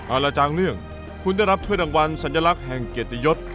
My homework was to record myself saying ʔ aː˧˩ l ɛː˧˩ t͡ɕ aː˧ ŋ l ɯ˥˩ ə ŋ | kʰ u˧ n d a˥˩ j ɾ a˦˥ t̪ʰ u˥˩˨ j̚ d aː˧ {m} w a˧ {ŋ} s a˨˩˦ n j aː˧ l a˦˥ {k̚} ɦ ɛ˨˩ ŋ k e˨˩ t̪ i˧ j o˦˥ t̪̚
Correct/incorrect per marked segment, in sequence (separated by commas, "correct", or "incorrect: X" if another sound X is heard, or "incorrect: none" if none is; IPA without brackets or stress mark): incorrect: ŋ, incorrect: n, correct